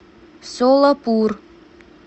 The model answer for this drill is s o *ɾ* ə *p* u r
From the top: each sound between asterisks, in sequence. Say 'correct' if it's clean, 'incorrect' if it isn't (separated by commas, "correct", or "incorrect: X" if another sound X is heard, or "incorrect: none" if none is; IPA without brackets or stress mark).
incorrect: l, correct